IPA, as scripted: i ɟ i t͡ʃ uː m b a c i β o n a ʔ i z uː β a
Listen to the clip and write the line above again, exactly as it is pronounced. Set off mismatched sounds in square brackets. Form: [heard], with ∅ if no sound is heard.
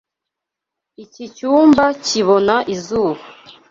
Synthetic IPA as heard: i [c] i t͡ʃ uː m b a c i β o n a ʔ i z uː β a